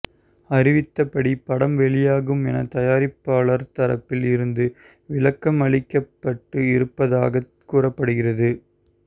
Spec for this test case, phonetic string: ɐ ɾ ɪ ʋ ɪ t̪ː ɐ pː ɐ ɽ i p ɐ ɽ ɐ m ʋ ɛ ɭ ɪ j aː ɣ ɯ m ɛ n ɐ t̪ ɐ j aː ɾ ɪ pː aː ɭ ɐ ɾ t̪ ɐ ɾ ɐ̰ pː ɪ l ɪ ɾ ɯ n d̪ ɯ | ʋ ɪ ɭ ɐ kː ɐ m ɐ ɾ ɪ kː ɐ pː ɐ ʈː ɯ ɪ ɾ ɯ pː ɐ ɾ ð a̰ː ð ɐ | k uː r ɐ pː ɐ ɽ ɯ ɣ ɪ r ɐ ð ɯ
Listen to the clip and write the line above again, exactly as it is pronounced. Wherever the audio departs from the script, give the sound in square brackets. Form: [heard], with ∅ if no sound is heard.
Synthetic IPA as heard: ɐ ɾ ɪ ʋ ɪ t̪ː ɐ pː ɐ ɽ i p ɐ ɽ ɐ m ʋ ɛ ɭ ɪ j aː ɣ ɯ m ɛ n ɐ t̪ ɐ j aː ɾ ɪ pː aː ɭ ɐ ɾ t̪ ɐ ɾ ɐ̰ pː ɪ l ɪ ɾ ɯ n d̪ ɯ | ʋ ɪ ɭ ɐ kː ɐ m ɐ [ɭ] ɪ kː ɐ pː ɐ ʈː ɯ ɪ ɾ ɯ pː ɐ [∅] ð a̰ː [ɣ] ɐ | k uː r ɐ pː ɐ ɽ ɯ ɣ ɪ r ɐ ð ɯ